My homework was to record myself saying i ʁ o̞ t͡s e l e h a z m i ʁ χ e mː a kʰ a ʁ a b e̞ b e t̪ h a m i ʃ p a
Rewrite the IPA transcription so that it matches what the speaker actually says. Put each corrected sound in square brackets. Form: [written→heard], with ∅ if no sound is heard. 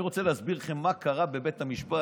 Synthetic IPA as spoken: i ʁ o̞ t͡s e l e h a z [m→b] i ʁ χ e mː a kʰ a ʁ a b e̞ b e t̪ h a m i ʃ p a